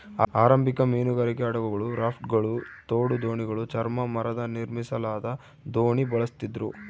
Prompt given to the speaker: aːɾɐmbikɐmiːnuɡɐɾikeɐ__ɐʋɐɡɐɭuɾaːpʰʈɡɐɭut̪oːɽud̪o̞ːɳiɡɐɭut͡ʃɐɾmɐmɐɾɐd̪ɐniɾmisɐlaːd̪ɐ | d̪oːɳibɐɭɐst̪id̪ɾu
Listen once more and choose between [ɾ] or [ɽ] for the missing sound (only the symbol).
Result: ɽ